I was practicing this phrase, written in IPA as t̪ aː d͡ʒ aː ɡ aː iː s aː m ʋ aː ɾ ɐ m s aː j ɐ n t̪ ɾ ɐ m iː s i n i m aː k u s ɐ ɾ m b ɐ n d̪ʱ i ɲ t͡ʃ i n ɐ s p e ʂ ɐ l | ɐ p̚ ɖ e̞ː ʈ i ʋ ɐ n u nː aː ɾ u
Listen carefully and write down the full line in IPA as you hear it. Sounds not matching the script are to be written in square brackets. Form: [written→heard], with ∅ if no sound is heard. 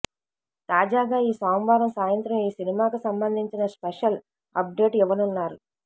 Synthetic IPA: t̪ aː d͡ʒ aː ɡ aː iː s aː m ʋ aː ɾ ɐ m s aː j ɐ n t̪ ɾ ɐ m iː s i n i m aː k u s ɐ [ɾ→∅] m b ɐ n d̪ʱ i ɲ t͡ʃ i n ɐ s p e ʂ ɐ l | ɐ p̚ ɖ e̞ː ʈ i ʋ ɐ n u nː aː ɾ u

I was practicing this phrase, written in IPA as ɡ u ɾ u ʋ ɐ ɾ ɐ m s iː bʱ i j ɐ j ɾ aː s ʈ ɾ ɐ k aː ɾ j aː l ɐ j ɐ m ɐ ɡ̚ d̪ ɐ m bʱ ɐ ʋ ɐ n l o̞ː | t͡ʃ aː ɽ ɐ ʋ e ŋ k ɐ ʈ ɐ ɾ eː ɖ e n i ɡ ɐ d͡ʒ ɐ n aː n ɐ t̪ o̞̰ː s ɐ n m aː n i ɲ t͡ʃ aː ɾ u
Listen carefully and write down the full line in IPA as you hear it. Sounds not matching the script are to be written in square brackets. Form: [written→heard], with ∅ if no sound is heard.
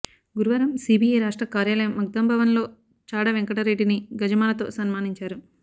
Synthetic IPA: ɡ u ɾ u ʋ ɐ ɾ ɐ m s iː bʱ i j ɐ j ɾ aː [s→ʂ] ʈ ɾ ɐ k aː ɾ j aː l ɐ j ɐ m ɐ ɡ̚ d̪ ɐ m bʱ ɐ ʋ ɐ n l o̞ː | t͡ʃ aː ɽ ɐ ʋ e ŋ k ɐ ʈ ɐ ɾ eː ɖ [e→i] n i ɡ ɐ d͡ʒ ɐ [n→m] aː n ɐ t̪ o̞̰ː s ɐ n m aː n i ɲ t͡ʃ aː ɾ u

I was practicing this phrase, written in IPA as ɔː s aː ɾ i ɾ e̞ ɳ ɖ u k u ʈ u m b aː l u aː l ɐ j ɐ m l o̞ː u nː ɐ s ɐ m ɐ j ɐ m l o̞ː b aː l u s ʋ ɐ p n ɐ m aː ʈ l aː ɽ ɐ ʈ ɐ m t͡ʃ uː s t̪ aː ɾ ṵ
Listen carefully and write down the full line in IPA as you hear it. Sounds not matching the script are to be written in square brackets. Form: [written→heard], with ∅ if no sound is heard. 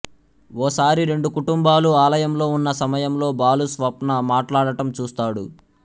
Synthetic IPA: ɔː s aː ɾ i ɾ e̞ ɳ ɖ u k u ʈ u m b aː l u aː l ɐ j ɐ m l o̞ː u nː ɐ s ɐ m ɐ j ɐ m l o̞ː b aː l u s ʋ ɐ p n ɐ m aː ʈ l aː ɽ ɐ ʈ ɐ m t͡ʃ uː s t̪ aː [ɾ→ɽ] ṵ

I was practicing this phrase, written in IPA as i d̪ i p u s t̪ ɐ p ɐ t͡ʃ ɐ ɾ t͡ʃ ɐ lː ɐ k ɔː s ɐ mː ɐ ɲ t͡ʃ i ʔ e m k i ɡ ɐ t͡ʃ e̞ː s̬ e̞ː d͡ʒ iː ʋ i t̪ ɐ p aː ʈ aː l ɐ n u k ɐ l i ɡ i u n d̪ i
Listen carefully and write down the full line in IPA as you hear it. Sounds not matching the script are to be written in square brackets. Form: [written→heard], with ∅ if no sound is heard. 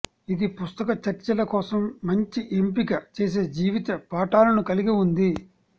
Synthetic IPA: i d̪ i p u s t̪ ɐ [p→k] ɐ t͡ʃ ɐ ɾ t͡ʃ ɐ [lː→l] ɐ k ɔː s ɐ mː ɐ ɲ t͡ʃ i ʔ e m [k→p] i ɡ ɐ t͡ʃ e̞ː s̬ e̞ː d͡ʒ iː ʋ i t̪ ɐ p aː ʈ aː l ɐ n u k ɐ l i ɡ i u n d̪ i

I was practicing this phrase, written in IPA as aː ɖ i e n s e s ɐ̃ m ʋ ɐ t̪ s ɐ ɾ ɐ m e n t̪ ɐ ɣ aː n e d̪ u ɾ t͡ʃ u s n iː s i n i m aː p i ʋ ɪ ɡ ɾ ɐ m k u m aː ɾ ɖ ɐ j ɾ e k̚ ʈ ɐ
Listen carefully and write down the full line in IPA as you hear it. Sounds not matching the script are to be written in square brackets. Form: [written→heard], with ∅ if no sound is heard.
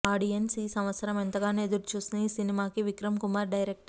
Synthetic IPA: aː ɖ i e n s [e→i] s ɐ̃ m ʋ ɐ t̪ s ɐ ɾ ɐ m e n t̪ ɐ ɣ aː n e d̪ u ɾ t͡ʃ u s n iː s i n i m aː [p→k] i ʋ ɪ [ɡ→k] ɾ ɐ m k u m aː ɾ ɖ ɐ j ɾ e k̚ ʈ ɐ

